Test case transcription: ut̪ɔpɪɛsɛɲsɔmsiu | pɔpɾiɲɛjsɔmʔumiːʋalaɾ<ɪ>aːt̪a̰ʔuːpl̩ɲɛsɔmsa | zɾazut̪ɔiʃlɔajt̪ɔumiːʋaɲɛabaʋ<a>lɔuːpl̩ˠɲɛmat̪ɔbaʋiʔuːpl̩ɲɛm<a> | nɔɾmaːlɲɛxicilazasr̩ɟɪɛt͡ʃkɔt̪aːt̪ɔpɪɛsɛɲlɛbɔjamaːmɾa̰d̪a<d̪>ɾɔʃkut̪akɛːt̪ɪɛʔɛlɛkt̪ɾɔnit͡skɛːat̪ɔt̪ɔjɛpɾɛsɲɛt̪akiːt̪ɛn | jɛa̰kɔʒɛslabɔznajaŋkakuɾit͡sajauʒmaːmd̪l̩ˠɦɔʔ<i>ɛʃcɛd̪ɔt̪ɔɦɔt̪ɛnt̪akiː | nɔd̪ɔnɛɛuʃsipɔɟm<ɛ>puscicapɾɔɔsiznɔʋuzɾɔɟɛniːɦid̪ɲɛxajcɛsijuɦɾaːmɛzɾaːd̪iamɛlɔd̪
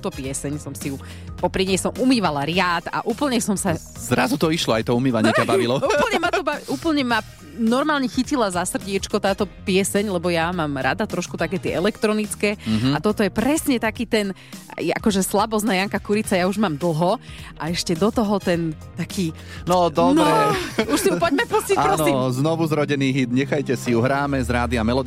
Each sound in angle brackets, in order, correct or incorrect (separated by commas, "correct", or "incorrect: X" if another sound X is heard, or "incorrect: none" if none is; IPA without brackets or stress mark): correct, incorrect: i, correct, incorrect: t̪, incorrect: a, correct